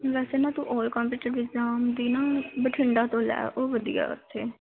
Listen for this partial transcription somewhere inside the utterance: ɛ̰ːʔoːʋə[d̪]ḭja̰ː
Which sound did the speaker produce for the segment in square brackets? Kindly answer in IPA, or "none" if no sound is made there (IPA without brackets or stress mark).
d̪